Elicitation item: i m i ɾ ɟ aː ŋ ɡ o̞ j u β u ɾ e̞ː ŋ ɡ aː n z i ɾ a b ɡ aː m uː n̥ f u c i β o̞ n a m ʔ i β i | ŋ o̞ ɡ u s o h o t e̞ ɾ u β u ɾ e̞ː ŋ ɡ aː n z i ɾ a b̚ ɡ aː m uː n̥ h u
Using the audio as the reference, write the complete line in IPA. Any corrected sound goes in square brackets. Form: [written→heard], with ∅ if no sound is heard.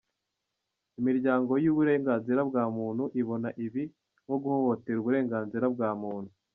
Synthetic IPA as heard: i m i ɾ ɟ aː ŋ ɡ o̞ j u β u ɾ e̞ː ŋ ɡ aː n z i ɾ a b ɡ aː m uː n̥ [f→h] u [c→ʔ] i β o̞ n a [m→∅] ʔ i β i | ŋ o̞ ɡ u [s→h] o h o t e̞ ɾ u β u ɾ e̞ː ŋ ɡ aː n z i ɾ a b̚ ɡ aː m uː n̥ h u